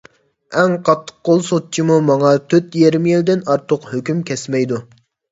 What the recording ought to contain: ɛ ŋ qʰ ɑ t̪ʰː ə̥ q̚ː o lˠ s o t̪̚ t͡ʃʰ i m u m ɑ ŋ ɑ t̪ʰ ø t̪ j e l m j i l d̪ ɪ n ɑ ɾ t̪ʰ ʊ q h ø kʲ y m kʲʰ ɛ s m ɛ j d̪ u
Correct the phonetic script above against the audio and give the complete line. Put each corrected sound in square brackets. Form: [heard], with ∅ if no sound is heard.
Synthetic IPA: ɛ ŋ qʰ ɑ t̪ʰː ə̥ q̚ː o lˠ s o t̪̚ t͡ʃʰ i m u m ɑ ŋ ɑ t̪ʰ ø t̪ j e [ɾ] m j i l d̪ ɪ n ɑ ɾ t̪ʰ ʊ q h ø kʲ y m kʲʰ ɛ s m ɛ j d̪ u